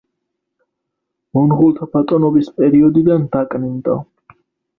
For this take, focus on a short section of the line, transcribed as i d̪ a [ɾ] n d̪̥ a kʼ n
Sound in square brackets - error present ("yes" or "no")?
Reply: yes